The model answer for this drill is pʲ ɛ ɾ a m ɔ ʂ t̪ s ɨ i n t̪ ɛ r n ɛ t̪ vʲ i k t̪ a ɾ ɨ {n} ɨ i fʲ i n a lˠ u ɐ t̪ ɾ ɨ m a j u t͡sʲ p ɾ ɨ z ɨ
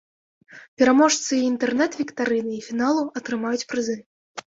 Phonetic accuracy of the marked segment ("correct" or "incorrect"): correct